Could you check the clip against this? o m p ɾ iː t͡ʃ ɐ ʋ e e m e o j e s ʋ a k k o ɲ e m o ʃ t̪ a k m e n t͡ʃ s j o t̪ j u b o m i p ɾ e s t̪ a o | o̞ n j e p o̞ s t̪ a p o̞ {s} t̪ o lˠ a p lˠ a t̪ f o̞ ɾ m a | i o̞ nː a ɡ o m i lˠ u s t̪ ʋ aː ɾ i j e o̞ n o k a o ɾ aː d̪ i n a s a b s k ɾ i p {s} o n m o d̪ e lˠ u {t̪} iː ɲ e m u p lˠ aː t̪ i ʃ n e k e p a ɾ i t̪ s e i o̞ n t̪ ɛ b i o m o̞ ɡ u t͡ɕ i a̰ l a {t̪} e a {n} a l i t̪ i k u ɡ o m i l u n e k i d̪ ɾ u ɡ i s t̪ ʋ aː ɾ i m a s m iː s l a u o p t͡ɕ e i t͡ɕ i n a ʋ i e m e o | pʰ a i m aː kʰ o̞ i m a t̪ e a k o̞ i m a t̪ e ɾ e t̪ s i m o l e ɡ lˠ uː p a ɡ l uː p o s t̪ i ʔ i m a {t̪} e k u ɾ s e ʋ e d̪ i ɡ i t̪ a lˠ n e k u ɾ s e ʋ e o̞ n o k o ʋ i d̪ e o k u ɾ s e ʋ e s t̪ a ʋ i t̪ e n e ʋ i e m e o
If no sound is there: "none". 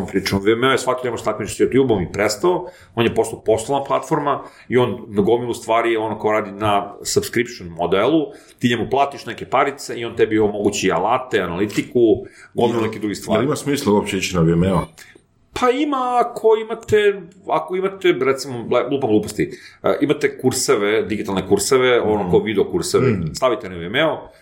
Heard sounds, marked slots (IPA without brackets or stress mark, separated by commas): s, ʃ, t̪, t̪, n, t̪